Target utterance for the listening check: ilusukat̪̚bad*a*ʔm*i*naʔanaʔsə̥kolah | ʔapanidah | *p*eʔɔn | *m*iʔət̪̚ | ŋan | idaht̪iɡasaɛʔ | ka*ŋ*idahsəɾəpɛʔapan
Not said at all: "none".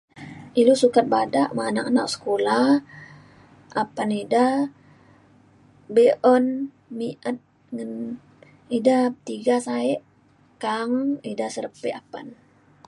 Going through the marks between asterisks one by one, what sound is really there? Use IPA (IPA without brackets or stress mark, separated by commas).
a, a, b, m, ŋ